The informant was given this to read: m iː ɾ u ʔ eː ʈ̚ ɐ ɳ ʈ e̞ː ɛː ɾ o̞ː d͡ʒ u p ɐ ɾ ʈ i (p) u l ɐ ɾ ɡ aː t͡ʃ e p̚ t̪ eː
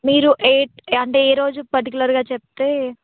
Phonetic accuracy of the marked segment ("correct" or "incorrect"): incorrect